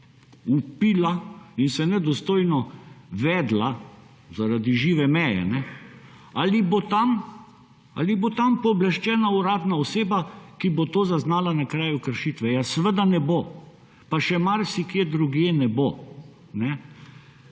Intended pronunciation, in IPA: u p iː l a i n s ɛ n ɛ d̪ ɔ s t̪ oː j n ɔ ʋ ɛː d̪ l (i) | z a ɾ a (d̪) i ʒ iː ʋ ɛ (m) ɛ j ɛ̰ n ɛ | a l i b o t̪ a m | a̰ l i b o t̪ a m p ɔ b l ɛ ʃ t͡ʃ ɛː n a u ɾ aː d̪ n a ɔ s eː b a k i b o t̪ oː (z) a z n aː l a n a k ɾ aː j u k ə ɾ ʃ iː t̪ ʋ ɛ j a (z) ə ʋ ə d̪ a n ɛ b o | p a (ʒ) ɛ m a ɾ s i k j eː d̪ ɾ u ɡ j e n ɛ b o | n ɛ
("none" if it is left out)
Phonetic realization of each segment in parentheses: a, d̪, m, z, s, ʃ

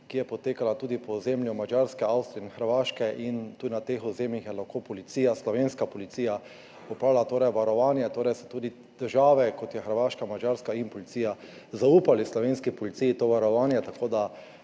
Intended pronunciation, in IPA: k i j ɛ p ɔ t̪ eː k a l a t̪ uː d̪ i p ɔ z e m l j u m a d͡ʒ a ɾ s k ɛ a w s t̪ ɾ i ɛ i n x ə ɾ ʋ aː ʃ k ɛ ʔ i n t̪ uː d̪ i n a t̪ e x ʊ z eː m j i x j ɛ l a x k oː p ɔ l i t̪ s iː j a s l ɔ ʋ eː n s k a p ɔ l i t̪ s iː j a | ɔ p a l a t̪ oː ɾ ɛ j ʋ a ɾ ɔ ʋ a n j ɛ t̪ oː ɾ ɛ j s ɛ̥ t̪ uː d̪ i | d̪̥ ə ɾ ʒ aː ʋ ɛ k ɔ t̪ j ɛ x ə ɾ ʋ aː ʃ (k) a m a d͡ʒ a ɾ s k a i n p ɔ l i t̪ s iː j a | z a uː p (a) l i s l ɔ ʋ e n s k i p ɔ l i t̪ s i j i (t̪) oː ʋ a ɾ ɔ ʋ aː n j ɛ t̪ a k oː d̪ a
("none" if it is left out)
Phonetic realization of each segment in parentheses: k, a, t̪

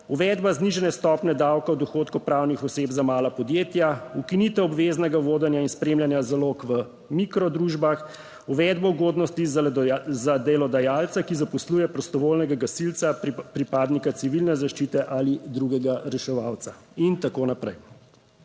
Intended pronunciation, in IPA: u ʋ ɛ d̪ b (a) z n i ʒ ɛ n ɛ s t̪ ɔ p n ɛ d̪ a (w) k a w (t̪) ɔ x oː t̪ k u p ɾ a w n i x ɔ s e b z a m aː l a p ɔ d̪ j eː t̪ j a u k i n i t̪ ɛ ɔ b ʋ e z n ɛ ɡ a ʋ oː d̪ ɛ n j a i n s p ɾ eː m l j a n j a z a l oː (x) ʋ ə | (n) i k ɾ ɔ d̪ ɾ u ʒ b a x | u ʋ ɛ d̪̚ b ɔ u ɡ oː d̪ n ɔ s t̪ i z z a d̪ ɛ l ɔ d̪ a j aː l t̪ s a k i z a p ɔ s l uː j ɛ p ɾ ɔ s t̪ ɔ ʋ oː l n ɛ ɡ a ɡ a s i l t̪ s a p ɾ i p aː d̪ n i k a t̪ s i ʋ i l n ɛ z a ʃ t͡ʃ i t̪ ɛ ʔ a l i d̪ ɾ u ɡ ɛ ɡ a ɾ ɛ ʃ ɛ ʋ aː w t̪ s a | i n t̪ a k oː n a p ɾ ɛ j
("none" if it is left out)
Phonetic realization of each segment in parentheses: a, w, d̪, k, m

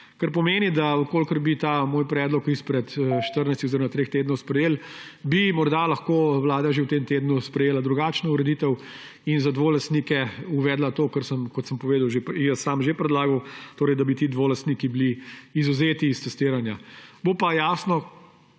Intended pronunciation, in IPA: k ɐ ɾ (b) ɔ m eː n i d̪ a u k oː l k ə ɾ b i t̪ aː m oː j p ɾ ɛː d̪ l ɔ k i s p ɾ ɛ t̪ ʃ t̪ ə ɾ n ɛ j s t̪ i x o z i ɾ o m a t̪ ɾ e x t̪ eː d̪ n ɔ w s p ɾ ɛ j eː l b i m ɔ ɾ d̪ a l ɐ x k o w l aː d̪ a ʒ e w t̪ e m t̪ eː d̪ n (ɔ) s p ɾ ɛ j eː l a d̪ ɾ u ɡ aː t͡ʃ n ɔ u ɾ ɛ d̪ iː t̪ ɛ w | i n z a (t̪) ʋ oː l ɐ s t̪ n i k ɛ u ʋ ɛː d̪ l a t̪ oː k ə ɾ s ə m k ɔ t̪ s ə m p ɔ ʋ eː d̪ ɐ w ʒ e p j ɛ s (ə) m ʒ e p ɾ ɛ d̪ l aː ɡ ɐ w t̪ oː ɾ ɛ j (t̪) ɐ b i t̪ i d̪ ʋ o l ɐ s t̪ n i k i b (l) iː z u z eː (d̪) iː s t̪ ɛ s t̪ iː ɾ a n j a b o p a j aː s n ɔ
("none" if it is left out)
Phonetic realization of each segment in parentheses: p, u, d̪, a, d̪, l, t̪

